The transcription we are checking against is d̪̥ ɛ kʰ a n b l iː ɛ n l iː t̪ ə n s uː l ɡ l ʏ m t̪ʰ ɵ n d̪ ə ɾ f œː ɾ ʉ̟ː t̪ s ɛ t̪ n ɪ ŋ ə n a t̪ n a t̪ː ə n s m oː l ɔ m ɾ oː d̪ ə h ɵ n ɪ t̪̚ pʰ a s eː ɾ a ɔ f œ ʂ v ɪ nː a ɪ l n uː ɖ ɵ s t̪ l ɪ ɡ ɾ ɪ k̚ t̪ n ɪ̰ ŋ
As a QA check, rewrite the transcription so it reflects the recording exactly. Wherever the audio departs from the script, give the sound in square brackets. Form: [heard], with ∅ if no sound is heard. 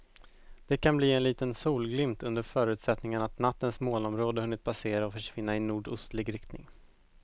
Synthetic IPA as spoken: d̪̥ ɛ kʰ a n b l iː ɛ n l iː t̪ ə n s uː l ɡ l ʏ m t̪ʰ ɵ n d̪ ə ɾ f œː ɾ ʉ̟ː t̪ s ɛ t̪ n ɪ ŋ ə n a t̪ n a t̪ː ə n s m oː l ɔ m ɾ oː d̪ ə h ɵ [nː] ɪ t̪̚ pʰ a s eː ɾ a ɔ f œ ʂ v ɪ nː a ɪ [∅] n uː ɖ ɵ s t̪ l ɪ ɡ ɾ ɪ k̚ t̪ n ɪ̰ ŋ